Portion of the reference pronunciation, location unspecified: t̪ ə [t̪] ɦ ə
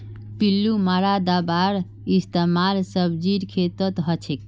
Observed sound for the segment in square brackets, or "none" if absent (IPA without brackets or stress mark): t̪